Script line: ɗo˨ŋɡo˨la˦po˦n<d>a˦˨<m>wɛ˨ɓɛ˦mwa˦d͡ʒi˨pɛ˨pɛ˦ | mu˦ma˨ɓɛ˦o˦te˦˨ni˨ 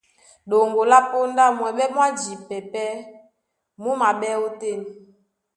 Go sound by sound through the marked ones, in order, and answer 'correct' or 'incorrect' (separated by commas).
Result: correct, correct